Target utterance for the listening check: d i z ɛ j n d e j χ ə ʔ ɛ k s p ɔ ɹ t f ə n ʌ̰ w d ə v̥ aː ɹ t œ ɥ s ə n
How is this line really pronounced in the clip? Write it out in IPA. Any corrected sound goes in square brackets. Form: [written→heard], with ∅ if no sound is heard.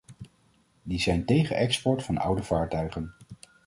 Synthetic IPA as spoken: d i z ɛ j n [d→t] e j χ ə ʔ ɛ k s p ɔ ɹ t f [ə→ɑ] n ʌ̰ w d ə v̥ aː ɹ t œ ɥ [s→χ] ə n